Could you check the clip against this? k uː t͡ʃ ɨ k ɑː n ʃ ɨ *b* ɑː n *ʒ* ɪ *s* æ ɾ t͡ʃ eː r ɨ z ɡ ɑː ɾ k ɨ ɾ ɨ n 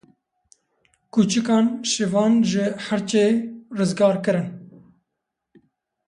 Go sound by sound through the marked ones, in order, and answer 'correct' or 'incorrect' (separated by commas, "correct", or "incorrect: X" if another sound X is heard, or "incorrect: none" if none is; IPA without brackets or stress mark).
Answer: incorrect: v, correct, incorrect: h